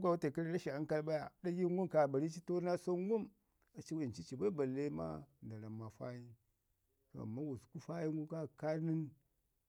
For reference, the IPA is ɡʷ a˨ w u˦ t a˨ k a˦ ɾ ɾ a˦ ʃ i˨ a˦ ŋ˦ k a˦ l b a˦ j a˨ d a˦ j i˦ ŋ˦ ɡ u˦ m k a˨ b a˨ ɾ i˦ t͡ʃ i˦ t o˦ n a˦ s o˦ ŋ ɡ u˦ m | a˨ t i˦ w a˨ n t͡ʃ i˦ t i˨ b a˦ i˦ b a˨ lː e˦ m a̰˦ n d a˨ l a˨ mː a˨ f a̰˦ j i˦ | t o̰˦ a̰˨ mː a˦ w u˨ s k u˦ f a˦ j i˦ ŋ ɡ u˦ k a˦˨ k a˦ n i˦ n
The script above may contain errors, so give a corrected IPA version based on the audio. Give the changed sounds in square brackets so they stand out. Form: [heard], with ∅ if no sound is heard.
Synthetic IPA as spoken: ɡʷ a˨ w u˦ t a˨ k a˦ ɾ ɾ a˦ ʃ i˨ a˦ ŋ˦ k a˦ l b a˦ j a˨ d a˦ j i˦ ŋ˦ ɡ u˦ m k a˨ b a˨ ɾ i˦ t͡ʃ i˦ t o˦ n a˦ s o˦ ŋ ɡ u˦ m | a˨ [t͡ʃ] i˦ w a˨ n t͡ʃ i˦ [t͡ʃ] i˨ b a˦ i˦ b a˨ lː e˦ m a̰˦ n d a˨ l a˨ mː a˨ f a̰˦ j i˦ | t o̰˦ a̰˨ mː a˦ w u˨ s k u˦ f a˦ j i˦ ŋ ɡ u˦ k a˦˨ k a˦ n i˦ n

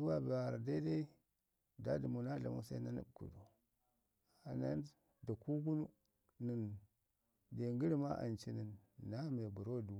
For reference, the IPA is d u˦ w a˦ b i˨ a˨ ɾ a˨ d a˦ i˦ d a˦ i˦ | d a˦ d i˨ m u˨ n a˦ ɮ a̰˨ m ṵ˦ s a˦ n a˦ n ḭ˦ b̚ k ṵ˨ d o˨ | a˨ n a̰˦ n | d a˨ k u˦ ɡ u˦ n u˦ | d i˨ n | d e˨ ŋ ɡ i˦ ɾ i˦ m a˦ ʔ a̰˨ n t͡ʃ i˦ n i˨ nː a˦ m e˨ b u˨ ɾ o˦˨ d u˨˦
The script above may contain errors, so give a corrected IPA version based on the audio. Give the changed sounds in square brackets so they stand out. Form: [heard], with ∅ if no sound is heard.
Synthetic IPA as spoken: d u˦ w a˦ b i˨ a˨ ɾ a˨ d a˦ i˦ d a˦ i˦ | d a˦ d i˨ m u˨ n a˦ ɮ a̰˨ m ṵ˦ s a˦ n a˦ n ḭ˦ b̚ k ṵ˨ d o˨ | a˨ n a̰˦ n | d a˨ k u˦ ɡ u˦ n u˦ | [n] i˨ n | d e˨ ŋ ɡ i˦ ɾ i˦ m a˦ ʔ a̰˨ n t͡ʃ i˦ n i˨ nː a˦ m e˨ b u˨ ɾ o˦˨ d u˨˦

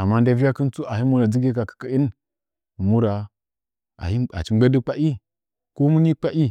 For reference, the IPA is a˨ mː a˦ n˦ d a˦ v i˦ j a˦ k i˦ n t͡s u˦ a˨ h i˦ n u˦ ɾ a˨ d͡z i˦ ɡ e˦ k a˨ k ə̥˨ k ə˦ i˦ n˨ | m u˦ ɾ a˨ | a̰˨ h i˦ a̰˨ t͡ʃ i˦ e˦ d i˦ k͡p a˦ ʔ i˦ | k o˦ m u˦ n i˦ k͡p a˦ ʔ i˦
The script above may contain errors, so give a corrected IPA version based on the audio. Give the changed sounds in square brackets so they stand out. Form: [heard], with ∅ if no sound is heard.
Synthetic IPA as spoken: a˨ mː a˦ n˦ d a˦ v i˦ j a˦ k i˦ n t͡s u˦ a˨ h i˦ [m] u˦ ɾ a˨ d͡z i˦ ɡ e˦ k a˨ k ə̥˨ k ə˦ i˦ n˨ | m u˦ ɾ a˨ | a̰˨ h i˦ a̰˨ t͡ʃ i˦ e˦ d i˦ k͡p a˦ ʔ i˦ | k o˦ m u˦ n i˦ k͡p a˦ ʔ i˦

